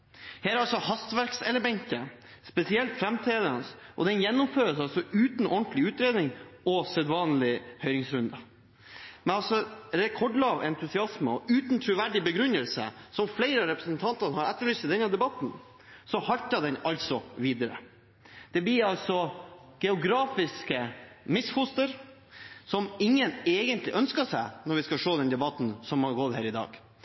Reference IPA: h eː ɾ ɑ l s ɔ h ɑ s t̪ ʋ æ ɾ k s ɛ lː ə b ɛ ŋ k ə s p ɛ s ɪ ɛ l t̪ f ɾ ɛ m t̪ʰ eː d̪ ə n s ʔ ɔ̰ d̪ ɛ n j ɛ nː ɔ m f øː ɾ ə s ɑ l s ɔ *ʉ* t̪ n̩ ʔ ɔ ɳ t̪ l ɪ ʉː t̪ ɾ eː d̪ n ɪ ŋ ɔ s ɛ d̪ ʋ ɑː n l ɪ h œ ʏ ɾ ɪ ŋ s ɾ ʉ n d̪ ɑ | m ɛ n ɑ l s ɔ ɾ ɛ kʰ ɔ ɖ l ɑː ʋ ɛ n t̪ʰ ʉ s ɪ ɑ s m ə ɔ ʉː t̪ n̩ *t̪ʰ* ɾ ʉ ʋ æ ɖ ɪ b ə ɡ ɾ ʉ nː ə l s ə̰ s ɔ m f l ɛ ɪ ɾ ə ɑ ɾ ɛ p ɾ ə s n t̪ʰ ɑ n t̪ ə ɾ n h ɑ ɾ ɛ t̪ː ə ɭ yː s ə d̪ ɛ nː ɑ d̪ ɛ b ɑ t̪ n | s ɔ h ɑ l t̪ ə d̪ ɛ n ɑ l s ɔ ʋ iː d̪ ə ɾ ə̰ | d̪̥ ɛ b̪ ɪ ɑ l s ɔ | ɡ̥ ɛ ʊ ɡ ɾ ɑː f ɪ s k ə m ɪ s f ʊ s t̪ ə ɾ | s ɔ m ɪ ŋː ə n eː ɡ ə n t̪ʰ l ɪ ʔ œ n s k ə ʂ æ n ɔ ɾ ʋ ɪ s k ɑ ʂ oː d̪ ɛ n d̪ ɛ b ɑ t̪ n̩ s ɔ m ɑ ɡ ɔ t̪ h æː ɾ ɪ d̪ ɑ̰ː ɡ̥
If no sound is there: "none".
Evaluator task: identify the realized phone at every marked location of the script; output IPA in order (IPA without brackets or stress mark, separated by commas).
ʉː, t̪ʰ